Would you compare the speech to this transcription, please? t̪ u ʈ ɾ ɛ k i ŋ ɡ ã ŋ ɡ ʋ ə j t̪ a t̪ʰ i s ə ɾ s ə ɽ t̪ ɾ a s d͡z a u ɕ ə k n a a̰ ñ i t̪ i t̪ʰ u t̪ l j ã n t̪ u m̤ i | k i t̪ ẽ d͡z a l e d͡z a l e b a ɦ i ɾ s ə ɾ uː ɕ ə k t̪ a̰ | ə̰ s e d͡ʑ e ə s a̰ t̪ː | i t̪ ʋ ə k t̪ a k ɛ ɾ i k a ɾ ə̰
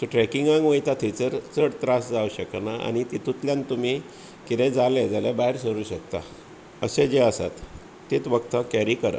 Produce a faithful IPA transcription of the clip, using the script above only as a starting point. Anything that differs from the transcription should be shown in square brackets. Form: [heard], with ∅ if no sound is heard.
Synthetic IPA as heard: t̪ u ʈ ɾ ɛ k i ŋ ɡ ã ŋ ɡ ʋ ə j t̪ a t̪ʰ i [t͡s] ə ɾ [t͡s] ə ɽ t̪ ɾ a s d͡z a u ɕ ə k n a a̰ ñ i t̪ i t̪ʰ u t̪ l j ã n t̪ u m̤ i | k i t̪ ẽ d͡z a l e d͡z a l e b a ɦ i ɾ s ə ɾ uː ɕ ə k t̪ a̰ | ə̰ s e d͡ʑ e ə s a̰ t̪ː | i t̪ ʋ ə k t̪ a k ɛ ɾ i k [ə] ɾ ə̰